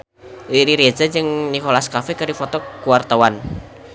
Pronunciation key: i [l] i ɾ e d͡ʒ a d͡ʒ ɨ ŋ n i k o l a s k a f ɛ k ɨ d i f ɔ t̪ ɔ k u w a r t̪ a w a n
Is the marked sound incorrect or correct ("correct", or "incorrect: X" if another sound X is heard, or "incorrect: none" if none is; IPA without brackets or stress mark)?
incorrect: ɾ